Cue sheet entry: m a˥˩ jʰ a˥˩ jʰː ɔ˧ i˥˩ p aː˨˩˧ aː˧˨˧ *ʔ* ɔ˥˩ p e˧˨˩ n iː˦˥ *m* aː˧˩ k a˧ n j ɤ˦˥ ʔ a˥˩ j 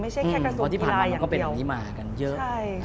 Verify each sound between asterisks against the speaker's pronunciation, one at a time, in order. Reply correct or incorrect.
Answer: incorrect, correct

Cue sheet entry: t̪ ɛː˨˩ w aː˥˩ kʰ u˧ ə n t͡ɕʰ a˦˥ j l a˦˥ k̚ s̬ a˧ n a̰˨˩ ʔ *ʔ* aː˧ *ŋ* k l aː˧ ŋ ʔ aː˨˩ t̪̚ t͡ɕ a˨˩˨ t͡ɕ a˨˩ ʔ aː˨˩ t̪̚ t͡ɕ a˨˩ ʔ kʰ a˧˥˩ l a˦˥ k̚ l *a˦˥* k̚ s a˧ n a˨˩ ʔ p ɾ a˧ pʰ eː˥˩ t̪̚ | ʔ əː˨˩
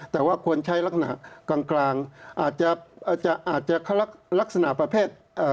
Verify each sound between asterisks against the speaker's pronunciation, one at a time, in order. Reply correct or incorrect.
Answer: incorrect, correct, correct

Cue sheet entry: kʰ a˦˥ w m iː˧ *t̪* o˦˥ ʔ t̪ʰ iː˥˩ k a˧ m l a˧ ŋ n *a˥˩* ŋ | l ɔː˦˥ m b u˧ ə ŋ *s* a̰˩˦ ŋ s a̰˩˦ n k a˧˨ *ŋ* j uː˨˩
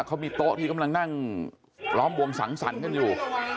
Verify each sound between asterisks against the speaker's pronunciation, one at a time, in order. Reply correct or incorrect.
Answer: correct, correct, correct, incorrect

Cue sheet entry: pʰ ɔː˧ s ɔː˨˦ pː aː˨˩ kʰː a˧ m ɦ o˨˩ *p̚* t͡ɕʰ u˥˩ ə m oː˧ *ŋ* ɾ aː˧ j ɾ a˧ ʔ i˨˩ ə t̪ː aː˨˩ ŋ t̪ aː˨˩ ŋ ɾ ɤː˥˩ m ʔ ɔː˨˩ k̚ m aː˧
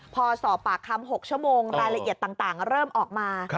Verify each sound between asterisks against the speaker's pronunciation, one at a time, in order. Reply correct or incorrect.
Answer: incorrect, correct

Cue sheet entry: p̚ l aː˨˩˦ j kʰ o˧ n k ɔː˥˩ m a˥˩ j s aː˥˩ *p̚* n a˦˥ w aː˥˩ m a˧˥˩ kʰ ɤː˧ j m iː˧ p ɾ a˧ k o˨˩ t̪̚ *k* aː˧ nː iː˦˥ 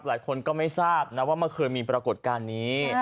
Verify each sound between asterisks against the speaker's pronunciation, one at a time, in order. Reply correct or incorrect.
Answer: correct, correct

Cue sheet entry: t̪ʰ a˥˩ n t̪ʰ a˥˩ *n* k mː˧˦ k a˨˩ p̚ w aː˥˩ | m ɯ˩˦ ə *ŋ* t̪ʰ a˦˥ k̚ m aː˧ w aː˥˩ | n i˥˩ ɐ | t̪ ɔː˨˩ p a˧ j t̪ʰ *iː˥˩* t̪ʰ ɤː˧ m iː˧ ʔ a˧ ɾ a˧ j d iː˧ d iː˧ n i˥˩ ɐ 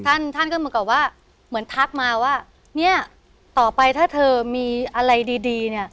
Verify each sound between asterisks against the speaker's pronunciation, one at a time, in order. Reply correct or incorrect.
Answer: correct, incorrect, incorrect

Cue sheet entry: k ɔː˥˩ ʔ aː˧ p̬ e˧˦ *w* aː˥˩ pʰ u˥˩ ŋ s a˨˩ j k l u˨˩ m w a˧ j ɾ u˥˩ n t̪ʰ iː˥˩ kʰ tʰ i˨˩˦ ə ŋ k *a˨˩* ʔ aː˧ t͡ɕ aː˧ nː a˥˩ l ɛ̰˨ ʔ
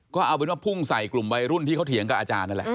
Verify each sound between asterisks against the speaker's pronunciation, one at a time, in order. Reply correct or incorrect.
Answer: correct, correct

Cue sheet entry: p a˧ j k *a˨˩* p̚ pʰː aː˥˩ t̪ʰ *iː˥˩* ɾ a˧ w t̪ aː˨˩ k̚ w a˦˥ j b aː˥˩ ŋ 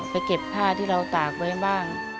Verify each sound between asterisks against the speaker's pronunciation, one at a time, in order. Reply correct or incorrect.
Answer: incorrect, correct

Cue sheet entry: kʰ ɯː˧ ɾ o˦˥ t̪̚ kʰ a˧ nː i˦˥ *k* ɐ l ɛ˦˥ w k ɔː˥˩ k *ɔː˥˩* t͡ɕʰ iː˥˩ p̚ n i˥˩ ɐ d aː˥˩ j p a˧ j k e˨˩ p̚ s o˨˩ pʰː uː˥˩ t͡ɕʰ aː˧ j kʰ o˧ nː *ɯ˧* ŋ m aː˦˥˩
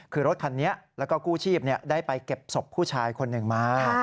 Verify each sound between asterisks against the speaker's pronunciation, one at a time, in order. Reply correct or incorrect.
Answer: incorrect, incorrect, incorrect

